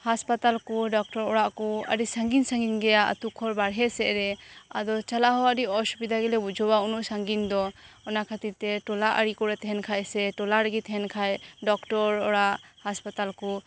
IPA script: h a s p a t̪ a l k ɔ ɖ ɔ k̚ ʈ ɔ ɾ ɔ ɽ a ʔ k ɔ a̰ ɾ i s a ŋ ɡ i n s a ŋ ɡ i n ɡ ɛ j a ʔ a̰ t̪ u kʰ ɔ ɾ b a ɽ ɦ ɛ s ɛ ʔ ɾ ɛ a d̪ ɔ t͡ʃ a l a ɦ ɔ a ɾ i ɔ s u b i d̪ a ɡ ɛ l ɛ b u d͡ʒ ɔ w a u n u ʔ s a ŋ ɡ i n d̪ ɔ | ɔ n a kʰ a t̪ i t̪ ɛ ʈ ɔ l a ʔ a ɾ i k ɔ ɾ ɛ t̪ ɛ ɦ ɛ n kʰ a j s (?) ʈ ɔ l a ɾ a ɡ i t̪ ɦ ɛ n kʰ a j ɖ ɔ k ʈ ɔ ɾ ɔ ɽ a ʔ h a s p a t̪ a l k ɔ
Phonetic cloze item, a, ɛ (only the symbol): ɛ